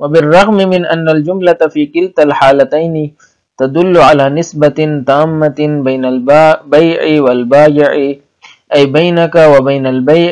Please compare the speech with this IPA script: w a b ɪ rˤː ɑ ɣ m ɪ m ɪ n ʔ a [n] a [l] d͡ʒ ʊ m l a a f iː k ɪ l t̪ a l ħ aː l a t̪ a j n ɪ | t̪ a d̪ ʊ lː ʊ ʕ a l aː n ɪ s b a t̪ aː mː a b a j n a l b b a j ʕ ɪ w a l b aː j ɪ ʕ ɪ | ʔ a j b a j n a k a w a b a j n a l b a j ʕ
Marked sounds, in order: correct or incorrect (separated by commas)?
incorrect, correct